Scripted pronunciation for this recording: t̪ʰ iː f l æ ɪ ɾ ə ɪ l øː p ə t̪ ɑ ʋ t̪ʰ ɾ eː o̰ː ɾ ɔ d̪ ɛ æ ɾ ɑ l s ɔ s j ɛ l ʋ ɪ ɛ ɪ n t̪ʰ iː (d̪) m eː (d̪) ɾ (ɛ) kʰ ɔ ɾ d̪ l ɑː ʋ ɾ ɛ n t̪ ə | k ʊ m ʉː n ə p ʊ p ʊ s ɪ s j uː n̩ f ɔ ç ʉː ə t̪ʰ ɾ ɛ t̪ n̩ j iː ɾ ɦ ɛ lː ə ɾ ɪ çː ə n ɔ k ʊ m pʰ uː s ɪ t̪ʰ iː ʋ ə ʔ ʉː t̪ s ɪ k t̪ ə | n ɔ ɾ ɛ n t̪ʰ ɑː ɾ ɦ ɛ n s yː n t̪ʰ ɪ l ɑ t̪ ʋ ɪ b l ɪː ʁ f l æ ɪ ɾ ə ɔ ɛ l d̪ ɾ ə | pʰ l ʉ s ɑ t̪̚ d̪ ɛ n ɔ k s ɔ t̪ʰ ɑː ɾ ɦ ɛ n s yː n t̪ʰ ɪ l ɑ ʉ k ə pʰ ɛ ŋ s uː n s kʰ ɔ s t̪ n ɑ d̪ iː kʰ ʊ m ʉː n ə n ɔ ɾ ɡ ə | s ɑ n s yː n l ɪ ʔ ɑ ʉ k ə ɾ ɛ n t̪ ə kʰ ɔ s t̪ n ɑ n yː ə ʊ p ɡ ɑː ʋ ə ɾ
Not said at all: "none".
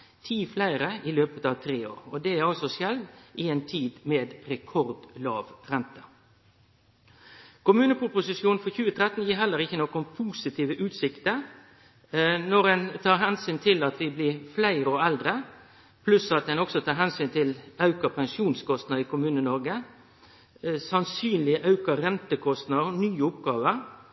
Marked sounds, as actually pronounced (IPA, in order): d̪, d̪, ɛ

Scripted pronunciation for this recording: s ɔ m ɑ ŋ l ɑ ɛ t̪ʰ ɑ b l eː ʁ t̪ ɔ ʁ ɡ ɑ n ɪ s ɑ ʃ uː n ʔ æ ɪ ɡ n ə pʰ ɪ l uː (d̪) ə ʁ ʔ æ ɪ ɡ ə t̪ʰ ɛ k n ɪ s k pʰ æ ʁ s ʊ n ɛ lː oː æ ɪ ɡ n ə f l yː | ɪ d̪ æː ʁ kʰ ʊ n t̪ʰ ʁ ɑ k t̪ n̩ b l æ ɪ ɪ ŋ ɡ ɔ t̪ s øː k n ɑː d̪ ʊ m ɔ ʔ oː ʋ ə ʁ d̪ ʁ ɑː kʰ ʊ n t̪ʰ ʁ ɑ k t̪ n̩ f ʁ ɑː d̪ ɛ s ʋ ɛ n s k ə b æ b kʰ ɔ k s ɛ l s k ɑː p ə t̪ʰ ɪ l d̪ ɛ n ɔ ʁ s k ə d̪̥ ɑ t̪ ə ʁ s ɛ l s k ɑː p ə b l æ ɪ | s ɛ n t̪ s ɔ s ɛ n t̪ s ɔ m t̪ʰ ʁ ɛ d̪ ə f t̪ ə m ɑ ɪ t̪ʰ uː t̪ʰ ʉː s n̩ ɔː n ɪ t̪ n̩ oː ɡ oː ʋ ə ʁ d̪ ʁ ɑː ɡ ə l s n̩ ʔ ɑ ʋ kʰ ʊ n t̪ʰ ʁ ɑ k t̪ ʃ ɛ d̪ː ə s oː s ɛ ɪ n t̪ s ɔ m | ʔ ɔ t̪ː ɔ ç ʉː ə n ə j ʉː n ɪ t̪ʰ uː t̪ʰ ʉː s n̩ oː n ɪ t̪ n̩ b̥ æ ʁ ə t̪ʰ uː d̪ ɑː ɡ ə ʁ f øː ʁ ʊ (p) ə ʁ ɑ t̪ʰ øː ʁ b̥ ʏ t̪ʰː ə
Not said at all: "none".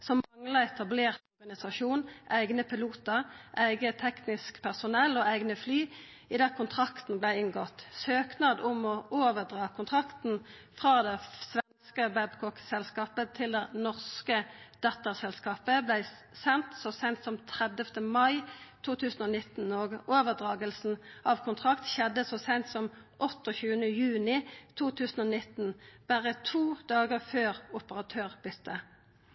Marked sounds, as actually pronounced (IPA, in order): t̪, p

